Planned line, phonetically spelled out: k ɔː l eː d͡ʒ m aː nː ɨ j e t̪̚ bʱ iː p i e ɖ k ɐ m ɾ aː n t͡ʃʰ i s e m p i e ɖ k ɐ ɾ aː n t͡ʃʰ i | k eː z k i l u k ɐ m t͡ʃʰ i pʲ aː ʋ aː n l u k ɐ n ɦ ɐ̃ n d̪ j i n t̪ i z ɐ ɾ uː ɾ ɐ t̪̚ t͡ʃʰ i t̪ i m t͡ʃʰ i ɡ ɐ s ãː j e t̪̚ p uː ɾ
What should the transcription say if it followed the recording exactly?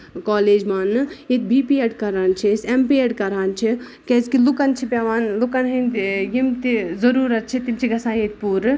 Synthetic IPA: k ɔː l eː d͡ʒ m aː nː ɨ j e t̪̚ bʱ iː p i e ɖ k ɐ ɾ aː n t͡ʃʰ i s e m p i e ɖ k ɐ ɾ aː n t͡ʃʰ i | k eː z k i l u k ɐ n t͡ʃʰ i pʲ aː ʋ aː n l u k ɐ n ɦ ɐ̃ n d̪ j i m t̪ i z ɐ ɾ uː ɾ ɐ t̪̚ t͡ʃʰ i t̪ i m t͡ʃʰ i ɡ ɐ s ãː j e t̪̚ p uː ɾ

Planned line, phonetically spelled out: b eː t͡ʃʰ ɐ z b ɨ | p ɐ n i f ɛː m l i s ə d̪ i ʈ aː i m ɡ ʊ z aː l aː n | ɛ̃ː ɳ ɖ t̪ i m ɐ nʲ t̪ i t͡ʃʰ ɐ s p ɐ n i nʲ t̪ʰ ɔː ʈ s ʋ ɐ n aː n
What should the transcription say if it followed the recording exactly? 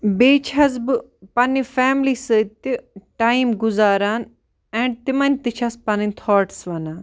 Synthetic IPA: b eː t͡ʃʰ ɐ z b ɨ | p ɐ n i f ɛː m l i s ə t̪ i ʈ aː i m ɡ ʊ z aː ɾ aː n | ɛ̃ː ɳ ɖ t̪ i m ɐ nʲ t̪ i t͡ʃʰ ɐ s p ɐ n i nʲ t̪ʰ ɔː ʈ s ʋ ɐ n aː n

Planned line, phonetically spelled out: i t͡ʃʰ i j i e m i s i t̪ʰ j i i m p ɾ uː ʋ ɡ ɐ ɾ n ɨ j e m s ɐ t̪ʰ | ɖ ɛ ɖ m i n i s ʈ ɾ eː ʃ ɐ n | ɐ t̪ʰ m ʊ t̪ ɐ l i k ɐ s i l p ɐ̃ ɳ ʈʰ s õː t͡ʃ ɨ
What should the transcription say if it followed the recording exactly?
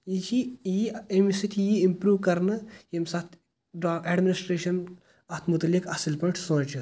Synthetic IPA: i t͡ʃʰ i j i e m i s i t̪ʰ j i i m p ɾ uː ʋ k ɐ ɾ n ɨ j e m s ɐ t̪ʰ | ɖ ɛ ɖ m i n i s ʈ ɾ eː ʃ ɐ n | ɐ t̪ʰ m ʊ t̪ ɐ l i k ɐ s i l p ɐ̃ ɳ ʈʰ s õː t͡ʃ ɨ

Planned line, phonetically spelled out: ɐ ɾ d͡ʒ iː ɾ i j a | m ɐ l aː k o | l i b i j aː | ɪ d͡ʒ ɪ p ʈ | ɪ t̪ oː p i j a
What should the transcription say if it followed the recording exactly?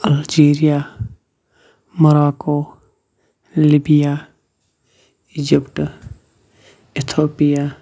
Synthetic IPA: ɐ l d͡ʒ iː ɾ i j a | m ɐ ɾ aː k o | l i b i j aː | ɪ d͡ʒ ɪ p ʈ | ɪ t̪ʰ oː p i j a

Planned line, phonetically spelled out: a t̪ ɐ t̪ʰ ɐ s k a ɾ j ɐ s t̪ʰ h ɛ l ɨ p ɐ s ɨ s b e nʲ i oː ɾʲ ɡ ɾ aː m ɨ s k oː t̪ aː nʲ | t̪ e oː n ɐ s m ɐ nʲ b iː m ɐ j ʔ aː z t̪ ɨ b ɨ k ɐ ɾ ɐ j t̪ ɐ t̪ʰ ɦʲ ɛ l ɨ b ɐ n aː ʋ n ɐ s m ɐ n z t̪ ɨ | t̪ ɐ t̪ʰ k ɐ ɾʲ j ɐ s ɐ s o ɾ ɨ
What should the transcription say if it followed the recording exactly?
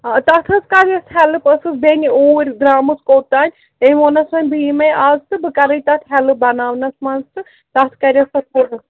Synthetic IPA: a t̪ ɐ t̪ʰ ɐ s k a ɾ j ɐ s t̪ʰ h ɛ l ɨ p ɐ s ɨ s b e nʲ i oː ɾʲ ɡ ɾ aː m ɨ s k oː t̪ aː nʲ | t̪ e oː n ɐ s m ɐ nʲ b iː m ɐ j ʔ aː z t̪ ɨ b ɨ k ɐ ɾ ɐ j t̪ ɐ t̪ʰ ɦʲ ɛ l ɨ b ɐ n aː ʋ n ɐ s m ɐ n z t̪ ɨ | t̪ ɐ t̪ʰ k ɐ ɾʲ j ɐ s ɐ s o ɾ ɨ

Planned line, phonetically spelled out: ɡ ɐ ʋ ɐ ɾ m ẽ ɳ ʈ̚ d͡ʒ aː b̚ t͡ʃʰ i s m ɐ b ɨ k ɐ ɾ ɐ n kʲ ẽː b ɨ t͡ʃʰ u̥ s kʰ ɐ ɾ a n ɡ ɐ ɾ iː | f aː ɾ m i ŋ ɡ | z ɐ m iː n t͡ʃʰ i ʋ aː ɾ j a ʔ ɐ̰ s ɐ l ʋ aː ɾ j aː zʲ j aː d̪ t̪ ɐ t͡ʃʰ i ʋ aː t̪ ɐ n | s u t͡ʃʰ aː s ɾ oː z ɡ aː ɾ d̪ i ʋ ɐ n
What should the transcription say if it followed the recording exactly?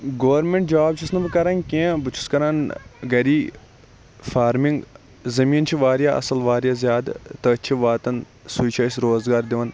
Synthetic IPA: ɡ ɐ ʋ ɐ ɾ m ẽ ɳ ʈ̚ d͡ʒ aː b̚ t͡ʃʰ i s n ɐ b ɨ k ɐ ɾ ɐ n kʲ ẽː b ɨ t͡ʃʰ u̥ s k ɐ ɾ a n ɡ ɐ ɾ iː | f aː ɾ m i ŋ ɡ | z ɐ m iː n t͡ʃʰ i ʋ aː ɾ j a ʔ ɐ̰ s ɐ l ʋ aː ɾ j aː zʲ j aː d̪ t̪ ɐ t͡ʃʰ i ʋ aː t̪ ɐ n | s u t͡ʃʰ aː s ɾ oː z ɡ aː ɾ d̪ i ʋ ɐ n

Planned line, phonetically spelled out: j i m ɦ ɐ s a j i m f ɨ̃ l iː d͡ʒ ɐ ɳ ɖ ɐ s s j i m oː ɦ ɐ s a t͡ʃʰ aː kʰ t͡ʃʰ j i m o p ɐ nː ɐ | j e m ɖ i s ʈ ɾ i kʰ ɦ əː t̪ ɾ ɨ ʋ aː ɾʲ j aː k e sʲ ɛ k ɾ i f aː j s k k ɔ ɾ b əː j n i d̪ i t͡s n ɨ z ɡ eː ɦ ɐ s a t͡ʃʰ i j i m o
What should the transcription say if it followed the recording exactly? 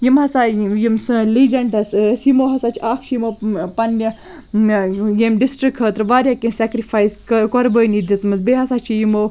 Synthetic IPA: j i m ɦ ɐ s a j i m s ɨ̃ l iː d͡ʒ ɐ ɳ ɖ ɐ s s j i m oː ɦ ɐ s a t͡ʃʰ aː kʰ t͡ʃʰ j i m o p ɐ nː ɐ | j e m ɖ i s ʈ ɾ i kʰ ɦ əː t̪ ɾ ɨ ʋ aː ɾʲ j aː k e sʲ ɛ k ɾ i f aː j s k k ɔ ɾ b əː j n i d̪ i t͡s m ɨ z b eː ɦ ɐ s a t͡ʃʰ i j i m o

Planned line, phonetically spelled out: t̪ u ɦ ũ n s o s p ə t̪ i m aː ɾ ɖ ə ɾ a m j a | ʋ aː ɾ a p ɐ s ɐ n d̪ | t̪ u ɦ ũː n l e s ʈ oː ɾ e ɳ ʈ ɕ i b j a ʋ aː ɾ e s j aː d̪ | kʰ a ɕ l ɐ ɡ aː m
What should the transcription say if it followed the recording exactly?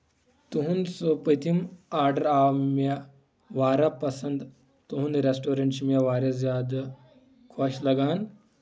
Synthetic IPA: t̪ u ɦ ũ n s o p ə t̪ i m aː ɾ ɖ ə ɾ a m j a | ʋ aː ɾ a p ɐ s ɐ n d̪ | t̪ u ɦ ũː n ɾ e s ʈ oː ɾ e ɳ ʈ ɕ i m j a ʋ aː ɾ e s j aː d̪ | kʰ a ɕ l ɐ ɡ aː n

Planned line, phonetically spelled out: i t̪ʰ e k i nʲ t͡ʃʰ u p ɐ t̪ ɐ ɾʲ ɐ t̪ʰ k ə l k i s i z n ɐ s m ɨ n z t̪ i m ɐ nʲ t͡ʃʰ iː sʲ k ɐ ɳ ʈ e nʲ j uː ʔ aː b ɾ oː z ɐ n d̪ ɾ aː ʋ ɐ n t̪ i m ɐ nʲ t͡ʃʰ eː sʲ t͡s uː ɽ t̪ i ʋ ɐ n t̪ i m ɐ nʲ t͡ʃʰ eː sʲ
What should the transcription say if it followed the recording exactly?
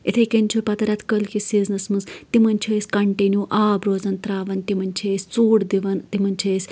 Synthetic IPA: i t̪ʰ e k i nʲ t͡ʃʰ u p ɐ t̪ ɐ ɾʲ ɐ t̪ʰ k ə l k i s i z n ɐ s m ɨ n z t̪ i m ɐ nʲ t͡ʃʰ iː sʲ k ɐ ɳ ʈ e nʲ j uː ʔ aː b ɾ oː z ɐ n t̪ ɾ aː ʋ ɐ n t̪ i m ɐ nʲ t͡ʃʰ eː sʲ t͡s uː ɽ d̪ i ʋ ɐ n t̪ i m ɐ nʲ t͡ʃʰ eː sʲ

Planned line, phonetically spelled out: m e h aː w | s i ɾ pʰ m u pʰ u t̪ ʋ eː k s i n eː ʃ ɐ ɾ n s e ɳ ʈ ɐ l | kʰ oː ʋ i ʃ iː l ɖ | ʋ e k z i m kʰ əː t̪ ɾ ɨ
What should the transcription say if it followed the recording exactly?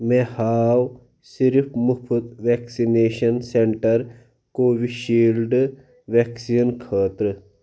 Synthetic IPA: m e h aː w | s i ɾ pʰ m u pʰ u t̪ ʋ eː k s i n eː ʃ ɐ n s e ɳ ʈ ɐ ɾ | k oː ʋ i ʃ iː l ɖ | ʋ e k s i n kʰ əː t̪ ɾ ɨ

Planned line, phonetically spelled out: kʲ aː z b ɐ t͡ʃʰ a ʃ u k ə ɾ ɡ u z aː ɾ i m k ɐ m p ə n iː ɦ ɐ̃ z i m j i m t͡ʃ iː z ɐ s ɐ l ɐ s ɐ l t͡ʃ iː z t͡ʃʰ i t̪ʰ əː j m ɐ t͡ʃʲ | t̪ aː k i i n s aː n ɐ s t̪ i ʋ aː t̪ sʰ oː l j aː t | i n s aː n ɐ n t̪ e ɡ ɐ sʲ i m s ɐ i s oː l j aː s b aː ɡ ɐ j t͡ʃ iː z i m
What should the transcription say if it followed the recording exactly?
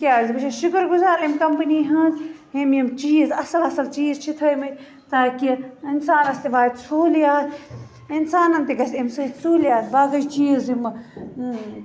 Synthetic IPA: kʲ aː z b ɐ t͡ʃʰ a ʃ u k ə ɾ ɡ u z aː ɾ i m k ɐ m p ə n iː ɦ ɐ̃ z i m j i m t͡ʃ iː z ɐ s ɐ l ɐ s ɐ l t͡ʃ iː z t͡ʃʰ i t̪ʰ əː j m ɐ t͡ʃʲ | t̪ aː k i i n s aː n ɐ s t̪ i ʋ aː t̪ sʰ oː l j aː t | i n s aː n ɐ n t̪ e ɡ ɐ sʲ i m s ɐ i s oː l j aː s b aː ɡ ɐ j t͡ʃ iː z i m

